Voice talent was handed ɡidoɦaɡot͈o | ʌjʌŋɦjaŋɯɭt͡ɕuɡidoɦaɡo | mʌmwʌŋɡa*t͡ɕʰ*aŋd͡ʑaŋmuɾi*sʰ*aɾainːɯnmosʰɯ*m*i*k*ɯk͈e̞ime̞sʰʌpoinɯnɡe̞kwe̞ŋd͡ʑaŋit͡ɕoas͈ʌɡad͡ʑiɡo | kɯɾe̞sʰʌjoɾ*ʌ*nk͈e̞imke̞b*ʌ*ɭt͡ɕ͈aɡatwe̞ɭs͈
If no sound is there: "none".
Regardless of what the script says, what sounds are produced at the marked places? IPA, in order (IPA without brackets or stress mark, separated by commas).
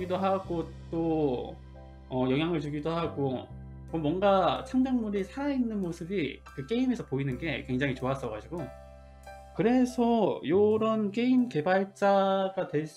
t͡ɕʰ, sʰ, b, k, ʌ, a